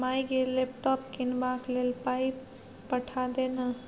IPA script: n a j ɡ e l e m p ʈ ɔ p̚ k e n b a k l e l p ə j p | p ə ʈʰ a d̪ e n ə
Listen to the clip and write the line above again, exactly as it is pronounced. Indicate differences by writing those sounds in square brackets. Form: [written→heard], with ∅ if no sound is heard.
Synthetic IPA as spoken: [n→m] a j ɡ e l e [m→∅] p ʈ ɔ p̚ k [e→i] n b a k l e l p [ə→a] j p | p ə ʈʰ a d̪ e n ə